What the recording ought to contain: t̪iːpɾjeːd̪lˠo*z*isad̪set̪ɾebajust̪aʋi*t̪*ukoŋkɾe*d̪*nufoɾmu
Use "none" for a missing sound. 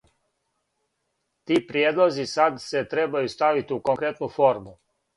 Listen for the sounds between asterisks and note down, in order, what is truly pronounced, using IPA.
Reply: z, t̪, t̪

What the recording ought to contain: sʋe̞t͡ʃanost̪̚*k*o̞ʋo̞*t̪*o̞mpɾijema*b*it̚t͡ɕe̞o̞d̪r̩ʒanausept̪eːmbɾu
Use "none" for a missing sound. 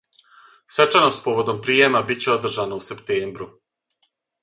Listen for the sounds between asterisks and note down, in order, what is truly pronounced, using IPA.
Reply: p, d̪, b

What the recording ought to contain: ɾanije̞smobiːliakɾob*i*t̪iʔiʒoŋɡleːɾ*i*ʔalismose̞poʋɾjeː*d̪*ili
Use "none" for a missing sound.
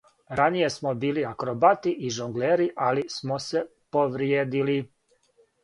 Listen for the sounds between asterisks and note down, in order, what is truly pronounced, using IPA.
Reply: a, i, d̪

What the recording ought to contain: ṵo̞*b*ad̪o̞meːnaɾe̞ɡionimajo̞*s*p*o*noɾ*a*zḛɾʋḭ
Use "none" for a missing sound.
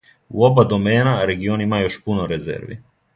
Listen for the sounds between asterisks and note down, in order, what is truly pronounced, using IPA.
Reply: b, ʃ, u, e

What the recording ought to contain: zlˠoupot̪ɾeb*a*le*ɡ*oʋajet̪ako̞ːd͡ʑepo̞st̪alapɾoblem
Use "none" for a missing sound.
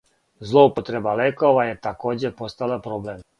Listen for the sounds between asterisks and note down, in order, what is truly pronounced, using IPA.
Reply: a, k

